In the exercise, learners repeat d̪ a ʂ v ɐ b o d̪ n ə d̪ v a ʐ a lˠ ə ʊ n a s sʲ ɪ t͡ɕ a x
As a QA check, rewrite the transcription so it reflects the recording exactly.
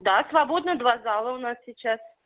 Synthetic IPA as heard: d̪ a s v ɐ b o d̪ n ə d̪ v a z a lˠ ə ʊ n a s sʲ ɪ t͡ɕ a s